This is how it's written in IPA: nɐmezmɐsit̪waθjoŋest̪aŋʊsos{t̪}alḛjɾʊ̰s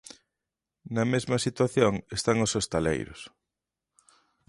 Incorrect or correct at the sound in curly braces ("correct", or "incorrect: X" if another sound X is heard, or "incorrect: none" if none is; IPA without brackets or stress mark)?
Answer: correct